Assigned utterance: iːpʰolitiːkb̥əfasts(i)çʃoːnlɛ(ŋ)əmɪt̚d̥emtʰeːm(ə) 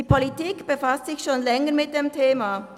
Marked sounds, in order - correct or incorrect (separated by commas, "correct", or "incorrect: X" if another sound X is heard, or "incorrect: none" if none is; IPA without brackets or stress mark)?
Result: incorrect: ɪ, correct, incorrect: a